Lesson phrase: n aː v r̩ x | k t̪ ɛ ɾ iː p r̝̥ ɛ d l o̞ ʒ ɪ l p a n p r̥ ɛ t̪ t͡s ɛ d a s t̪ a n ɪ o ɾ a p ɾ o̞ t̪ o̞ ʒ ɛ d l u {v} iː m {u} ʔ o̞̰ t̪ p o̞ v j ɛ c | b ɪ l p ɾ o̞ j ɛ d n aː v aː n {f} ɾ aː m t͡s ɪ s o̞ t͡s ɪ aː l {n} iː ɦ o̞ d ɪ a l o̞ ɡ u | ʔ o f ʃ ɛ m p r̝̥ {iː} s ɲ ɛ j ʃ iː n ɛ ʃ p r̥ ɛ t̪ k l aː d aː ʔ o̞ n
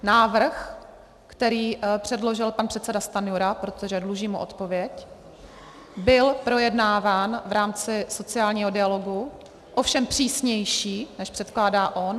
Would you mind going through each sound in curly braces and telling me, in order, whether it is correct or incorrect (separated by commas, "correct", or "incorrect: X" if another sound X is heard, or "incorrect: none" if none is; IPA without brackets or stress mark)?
incorrect: ʒ, correct, incorrect: v, incorrect: ɲ, correct